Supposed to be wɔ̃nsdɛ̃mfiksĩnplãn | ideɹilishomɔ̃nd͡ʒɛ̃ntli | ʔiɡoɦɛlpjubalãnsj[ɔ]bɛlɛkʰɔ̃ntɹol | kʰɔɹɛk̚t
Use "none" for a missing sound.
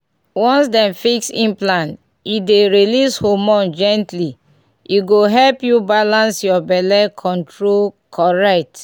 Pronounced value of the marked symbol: ɔ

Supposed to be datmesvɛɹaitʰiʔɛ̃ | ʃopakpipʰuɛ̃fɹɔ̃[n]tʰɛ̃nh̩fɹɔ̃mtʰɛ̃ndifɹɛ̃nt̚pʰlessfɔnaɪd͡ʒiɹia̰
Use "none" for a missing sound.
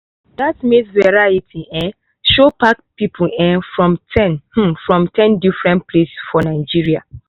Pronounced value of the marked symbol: m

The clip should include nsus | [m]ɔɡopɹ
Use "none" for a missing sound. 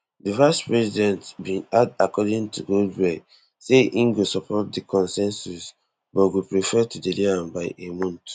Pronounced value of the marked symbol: b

